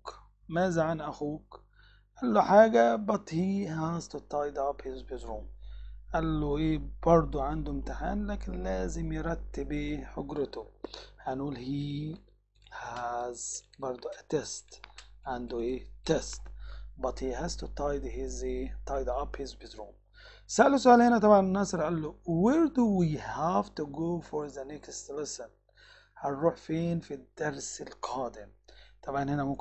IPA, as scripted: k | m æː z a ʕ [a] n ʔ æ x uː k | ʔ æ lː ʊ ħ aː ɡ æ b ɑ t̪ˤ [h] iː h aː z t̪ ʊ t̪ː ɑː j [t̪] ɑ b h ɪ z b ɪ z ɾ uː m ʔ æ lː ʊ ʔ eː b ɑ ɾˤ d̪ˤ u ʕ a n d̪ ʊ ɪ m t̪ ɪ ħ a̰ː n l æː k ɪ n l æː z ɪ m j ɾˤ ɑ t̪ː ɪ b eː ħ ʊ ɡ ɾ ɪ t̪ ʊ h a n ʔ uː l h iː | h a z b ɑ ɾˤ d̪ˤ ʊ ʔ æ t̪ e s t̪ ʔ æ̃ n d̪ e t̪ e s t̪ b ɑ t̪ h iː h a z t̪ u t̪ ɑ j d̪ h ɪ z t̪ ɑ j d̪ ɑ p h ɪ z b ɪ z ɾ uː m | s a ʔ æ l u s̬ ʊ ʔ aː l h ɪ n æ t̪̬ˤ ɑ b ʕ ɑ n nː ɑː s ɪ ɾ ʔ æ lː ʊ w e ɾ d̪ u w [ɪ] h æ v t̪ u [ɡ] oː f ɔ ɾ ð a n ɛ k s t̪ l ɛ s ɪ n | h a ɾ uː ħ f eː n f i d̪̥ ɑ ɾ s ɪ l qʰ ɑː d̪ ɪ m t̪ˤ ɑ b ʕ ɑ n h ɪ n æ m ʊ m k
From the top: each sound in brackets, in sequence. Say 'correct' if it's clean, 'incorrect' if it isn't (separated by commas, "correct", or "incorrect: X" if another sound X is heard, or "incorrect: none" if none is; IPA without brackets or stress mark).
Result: correct, correct, incorrect: d̪, incorrect: i, correct